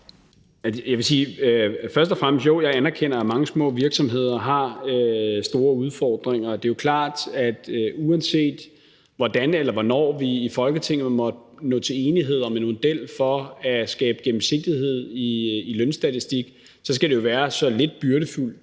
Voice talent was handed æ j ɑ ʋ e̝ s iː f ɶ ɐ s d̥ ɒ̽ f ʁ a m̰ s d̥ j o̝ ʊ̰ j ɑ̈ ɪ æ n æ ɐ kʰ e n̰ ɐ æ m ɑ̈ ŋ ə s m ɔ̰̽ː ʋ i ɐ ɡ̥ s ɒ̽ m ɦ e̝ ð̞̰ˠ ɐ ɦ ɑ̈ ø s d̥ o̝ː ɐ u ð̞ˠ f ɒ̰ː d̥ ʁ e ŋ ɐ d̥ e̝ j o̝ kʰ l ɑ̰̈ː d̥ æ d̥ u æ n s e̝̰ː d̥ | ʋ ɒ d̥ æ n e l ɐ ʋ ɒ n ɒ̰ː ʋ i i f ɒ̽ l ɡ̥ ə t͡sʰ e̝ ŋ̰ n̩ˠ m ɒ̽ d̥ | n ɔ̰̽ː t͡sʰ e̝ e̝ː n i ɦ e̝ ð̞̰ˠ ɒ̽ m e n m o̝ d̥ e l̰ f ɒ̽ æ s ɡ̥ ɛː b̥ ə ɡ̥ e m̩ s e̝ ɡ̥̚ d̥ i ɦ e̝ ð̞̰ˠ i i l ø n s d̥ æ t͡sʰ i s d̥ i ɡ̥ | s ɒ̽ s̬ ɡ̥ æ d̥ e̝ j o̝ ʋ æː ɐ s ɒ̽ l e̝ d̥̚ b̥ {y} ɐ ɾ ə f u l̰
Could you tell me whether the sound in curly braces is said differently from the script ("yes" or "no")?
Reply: no